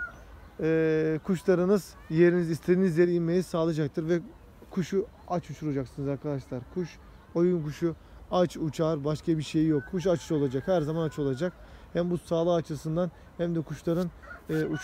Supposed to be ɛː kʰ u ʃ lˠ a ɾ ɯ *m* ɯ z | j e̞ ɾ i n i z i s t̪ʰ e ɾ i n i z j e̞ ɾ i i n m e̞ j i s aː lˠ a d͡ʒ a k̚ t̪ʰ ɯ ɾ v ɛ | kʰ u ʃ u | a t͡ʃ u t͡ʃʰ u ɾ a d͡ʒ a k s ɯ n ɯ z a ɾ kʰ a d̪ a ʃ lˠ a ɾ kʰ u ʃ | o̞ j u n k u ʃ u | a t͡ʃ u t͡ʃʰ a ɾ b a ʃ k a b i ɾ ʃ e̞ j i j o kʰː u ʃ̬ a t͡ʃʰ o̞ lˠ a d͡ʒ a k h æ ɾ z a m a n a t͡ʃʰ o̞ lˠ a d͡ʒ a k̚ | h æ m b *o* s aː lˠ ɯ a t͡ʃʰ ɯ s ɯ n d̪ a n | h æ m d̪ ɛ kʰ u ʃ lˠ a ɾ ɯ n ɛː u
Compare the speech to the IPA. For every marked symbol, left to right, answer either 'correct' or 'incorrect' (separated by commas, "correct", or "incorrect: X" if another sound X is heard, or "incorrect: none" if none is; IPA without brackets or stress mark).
incorrect: n, incorrect: u